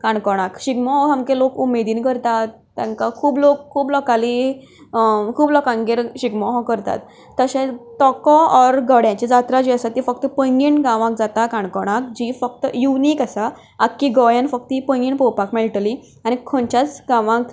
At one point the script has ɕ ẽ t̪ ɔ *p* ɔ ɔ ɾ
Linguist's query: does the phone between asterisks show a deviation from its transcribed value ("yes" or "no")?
yes